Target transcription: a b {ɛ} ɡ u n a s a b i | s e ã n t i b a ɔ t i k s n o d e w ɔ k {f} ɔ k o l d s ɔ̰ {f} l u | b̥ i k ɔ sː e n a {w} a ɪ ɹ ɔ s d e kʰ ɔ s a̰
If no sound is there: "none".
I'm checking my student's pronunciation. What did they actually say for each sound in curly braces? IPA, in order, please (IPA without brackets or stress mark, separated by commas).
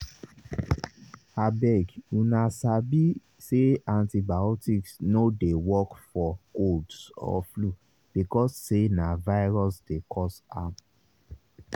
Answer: ɛ, f, f, v